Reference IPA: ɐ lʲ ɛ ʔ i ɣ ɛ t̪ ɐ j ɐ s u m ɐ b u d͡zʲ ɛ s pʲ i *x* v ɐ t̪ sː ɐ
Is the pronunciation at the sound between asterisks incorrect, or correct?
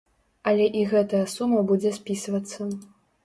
incorrect: s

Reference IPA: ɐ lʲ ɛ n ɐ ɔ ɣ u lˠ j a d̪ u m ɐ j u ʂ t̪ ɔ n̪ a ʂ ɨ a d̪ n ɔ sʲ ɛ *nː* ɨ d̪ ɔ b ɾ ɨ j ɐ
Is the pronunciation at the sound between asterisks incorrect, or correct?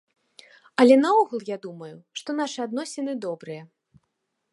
incorrect: n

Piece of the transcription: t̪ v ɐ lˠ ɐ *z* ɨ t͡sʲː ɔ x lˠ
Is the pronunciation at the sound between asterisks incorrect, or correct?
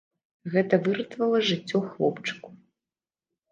incorrect: ʐ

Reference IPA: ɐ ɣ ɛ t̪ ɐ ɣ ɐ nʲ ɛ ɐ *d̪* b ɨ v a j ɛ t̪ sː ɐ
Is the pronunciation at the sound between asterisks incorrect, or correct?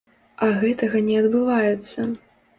correct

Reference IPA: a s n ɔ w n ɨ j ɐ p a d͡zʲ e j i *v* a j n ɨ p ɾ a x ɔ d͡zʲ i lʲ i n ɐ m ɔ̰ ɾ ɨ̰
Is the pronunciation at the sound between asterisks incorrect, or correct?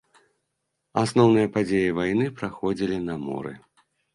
correct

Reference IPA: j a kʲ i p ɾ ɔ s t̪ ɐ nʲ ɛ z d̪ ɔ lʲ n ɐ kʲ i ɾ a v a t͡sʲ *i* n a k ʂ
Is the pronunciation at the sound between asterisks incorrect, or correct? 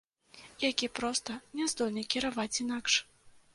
correct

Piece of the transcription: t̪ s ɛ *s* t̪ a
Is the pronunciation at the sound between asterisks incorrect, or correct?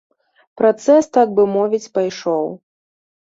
correct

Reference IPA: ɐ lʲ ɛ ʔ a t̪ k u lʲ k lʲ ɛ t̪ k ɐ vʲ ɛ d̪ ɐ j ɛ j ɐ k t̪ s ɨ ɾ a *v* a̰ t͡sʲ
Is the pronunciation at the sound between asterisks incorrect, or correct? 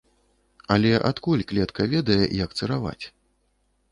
correct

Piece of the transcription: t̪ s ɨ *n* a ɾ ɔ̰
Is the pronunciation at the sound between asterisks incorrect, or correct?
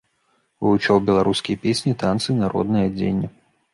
correct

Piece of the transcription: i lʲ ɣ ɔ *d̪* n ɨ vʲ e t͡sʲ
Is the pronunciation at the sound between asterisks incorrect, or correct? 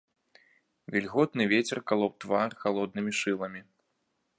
incorrect: t̪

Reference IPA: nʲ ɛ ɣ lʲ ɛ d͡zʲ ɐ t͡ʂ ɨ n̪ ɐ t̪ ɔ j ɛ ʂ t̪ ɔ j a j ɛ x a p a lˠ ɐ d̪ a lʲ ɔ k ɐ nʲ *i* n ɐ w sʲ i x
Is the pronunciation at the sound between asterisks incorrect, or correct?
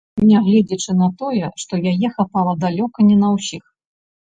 incorrect: ɛ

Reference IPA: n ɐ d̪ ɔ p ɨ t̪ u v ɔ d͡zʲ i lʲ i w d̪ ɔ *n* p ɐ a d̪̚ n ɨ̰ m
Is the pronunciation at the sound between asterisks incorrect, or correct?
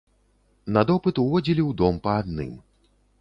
incorrect: m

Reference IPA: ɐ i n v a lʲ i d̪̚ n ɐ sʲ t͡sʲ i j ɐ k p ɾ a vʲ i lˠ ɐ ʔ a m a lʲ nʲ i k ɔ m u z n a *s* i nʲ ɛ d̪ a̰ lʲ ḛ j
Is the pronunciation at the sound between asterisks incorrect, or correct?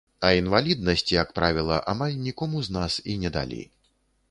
correct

